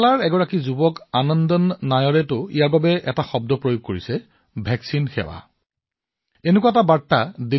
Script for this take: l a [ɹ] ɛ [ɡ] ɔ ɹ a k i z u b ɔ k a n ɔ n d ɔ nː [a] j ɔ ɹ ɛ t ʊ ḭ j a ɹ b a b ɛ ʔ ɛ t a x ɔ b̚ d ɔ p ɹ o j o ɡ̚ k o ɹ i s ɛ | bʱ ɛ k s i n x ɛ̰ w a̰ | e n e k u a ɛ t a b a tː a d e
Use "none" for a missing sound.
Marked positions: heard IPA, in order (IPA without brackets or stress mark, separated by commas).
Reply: ɹ, ɡ, a